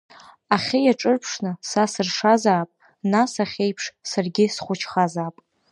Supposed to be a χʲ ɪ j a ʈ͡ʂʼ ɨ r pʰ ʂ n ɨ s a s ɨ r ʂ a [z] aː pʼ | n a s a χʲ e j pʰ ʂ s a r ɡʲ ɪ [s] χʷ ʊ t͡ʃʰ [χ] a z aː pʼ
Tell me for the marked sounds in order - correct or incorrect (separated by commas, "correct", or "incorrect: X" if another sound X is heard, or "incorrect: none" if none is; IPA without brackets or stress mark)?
correct, correct, correct